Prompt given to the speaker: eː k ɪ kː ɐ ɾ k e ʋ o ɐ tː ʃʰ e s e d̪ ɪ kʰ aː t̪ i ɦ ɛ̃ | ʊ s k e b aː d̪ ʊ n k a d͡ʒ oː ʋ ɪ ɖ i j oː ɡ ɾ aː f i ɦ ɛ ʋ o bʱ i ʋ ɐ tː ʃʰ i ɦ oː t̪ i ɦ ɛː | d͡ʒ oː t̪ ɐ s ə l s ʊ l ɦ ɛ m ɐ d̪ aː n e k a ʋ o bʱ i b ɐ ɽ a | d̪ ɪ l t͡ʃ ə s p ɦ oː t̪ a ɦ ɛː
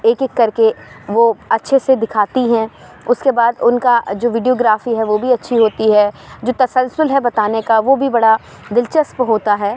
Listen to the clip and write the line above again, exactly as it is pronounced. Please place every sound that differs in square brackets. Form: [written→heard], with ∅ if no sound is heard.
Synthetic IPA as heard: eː k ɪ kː ɐ ɾ k e ʋ o ɐ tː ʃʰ e s e d̪ ɪ kʰ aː t̪ i ɦ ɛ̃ | ʊ s k e b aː d̪ ʊ n k a d͡ʒ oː ʋ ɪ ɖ i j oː ɡ ɾ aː f i ɦ ɛ ʋ o bʱ i [ʋ→∅] ɐ tː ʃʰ i ɦ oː t̪ i ɦ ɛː | d͡ʒ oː t̪ ɐ s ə l s ʊ l ɦ ɛ [m→b] ɐ [d̪→t̪] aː n e k a ʋ o bʱ i b ɐ ɽ a | d̪ ɪ l t͡ʃ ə s p ɦ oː t̪ a ɦ ɛː